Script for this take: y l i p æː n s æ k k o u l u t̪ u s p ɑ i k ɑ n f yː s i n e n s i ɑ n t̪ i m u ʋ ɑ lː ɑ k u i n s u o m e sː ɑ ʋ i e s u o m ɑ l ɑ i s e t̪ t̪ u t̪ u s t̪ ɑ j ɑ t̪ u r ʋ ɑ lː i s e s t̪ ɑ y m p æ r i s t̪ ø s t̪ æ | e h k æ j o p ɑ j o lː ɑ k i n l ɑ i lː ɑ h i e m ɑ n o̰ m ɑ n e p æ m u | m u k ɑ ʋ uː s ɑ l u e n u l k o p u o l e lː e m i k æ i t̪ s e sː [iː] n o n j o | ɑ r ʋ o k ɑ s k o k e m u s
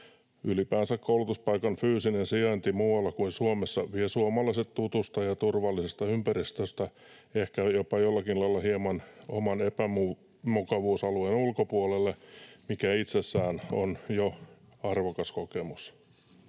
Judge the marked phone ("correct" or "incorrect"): incorrect